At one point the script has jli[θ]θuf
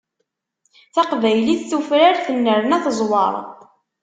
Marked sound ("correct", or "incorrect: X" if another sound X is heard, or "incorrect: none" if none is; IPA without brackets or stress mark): correct